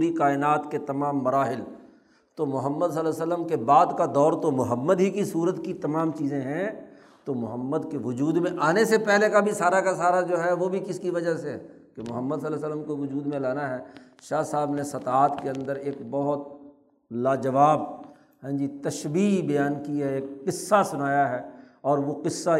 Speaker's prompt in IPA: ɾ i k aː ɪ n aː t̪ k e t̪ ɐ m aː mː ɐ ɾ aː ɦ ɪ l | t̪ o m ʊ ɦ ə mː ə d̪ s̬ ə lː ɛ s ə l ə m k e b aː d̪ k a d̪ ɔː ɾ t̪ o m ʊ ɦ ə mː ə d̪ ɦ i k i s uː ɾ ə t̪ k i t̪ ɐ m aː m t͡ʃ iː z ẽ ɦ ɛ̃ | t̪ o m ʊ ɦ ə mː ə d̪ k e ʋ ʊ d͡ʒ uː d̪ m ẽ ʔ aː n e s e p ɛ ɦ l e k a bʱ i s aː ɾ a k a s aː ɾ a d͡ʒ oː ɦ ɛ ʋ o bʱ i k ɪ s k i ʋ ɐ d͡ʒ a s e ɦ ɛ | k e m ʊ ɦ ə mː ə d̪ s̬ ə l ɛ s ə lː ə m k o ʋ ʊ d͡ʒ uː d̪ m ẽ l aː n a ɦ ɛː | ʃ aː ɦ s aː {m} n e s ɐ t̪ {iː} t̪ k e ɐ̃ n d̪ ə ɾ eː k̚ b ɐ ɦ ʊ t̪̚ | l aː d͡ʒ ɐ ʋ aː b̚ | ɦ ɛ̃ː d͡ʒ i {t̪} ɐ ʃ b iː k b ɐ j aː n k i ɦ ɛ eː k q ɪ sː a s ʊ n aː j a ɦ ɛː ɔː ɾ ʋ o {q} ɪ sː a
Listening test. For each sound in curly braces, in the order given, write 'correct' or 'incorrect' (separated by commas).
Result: incorrect, incorrect, correct, correct